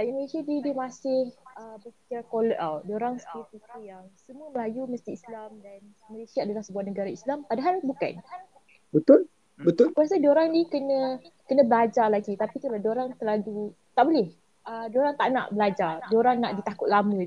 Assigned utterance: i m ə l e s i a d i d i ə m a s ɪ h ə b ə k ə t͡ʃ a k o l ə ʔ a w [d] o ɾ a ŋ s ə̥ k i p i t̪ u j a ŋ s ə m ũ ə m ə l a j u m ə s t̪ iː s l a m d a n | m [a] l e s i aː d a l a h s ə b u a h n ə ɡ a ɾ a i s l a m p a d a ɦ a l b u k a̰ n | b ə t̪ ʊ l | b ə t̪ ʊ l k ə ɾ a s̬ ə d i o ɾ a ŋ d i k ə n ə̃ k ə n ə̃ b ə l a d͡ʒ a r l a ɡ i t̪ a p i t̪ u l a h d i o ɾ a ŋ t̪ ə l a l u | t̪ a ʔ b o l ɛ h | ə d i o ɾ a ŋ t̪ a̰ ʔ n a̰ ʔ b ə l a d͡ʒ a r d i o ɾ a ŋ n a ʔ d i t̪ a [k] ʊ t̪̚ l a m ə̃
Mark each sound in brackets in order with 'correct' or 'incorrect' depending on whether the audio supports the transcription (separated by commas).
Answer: correct, incorrect, correct